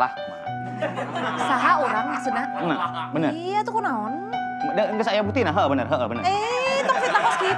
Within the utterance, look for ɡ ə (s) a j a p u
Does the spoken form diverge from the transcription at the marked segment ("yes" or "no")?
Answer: no